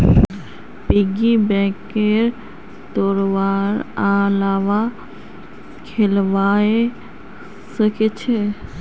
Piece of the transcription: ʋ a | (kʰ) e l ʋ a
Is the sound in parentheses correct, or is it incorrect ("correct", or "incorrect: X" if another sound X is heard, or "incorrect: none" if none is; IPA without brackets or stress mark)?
correct